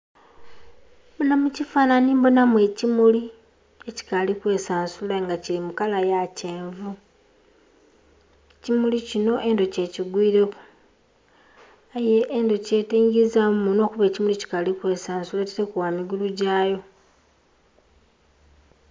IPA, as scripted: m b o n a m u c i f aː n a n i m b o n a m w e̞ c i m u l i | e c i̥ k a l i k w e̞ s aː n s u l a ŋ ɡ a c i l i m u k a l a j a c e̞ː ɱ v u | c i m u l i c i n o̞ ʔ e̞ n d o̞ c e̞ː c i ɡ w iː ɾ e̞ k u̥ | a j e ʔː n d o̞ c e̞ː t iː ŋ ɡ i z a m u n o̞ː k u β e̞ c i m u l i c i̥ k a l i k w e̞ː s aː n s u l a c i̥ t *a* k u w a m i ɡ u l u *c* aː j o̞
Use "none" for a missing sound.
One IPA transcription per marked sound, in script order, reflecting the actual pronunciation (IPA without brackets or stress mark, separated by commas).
e, ɟ